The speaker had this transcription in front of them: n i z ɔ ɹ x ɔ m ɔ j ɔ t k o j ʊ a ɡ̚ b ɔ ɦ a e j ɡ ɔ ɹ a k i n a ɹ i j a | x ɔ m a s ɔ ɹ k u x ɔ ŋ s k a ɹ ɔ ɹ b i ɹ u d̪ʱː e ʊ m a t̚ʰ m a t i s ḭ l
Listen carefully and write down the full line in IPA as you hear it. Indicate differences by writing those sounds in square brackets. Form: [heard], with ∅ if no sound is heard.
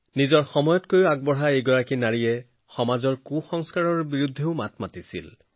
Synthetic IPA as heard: n i z ɔ ɹ x ɔ m ɔ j ɔ t k o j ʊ a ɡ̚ b ɔ ɦ a e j ɡ ɔ ɹ a k i n a ɹ i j [ɛ] | x ɔ m a [z] ɔ ɹ k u x ɔ ŋ s k a ɹ ɔ ɹ b i ɹ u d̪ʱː e ʊ m a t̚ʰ m a t i s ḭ l